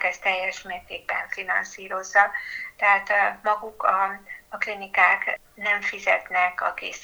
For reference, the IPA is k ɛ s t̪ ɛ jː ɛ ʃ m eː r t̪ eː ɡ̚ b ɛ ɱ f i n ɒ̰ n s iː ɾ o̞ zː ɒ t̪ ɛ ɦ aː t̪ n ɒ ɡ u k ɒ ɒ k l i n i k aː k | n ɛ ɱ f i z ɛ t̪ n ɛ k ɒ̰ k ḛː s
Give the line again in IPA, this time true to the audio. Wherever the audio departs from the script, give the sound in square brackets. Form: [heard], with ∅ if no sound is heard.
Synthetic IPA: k ɛ s t̪ ɛ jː ɛ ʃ m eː r t̪ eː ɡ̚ b ɛ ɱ f i n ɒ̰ n s iː ɾ o̞ zː ɒ t̪ ɛ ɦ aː t̪ [m] ɒ ɡ u k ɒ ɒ k l i n i k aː k | n ɛ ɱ f i z ɛ t̪ n ɛ k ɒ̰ k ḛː s